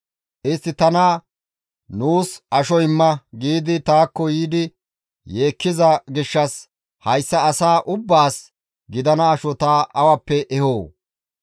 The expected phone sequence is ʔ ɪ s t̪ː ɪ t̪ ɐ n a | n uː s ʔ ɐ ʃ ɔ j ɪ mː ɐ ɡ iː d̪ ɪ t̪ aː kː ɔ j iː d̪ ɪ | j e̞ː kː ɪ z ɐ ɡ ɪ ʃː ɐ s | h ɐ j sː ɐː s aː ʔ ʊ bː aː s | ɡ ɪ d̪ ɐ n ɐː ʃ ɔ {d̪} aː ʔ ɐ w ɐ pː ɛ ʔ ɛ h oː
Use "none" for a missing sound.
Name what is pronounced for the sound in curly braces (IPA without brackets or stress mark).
t̪